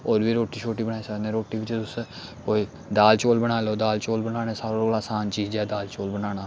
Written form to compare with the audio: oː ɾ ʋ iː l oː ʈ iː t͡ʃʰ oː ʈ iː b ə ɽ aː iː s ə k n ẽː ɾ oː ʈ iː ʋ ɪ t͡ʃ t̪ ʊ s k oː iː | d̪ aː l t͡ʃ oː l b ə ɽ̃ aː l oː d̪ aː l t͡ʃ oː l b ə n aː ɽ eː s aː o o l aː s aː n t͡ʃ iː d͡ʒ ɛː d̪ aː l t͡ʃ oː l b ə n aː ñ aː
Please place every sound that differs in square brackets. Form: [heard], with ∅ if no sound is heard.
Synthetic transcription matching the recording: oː ɾ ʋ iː [ɾ] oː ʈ iː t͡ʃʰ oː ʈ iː b ə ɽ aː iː s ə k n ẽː ɾ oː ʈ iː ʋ ɪ t͡ʃ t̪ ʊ s k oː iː | d̪ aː l t͡ʃ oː l b ə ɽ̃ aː l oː d̪ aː l t͡ʃ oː l b ə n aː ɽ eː s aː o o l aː s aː n t͡ʃ iː d͡ʒ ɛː d̪ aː l t͡ʃ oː l b ə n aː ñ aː